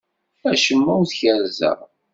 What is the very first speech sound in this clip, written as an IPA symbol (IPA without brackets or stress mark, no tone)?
æ